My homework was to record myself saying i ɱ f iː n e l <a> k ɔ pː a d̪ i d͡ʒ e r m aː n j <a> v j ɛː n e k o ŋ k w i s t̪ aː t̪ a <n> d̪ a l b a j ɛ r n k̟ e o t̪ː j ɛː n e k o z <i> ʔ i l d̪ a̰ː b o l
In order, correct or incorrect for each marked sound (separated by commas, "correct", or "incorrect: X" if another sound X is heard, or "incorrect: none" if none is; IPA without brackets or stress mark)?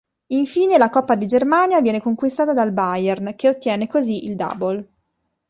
correct, correct, incorrect: none, correct